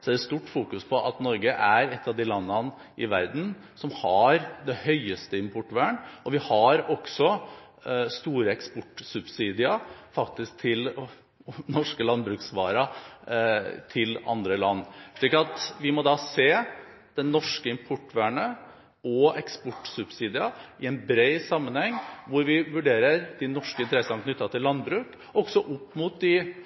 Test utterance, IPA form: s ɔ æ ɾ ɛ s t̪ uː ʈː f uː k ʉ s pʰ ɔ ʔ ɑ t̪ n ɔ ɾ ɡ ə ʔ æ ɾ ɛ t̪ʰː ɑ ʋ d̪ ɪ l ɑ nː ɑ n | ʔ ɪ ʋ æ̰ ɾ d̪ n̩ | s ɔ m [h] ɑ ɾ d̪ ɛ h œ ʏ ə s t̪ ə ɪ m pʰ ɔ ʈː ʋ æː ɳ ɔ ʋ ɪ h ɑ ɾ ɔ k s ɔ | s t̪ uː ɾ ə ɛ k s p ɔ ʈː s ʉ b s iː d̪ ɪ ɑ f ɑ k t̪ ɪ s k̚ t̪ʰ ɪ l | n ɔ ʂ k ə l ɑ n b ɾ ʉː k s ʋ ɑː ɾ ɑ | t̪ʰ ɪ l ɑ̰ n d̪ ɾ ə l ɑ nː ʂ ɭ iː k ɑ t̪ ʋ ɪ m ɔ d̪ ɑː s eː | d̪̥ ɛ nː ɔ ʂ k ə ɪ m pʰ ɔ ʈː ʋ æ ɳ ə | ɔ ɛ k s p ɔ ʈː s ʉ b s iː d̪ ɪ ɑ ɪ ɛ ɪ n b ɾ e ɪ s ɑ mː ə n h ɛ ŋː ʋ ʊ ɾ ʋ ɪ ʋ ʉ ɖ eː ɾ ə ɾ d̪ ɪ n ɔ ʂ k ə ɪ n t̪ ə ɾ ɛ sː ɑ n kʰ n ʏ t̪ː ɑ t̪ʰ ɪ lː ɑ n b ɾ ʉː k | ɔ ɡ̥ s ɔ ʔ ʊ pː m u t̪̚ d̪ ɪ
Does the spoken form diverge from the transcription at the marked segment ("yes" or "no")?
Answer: no